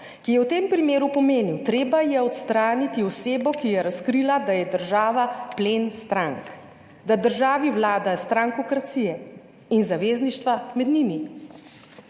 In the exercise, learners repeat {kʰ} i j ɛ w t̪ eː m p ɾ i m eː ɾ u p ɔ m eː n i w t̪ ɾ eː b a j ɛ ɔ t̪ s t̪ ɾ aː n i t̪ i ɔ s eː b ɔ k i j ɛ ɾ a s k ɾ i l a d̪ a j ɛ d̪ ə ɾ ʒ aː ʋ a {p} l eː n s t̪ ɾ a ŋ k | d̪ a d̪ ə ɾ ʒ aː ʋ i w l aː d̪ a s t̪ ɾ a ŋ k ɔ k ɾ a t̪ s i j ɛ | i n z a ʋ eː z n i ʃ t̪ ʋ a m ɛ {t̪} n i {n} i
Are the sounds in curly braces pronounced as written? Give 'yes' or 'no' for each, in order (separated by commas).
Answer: no, yes, no, no